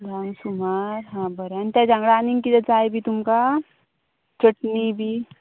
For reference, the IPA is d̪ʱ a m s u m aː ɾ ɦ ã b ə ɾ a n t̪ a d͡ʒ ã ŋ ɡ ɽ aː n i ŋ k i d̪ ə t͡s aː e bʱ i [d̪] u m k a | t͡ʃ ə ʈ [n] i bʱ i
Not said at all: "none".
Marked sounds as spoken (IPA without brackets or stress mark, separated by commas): t̪, n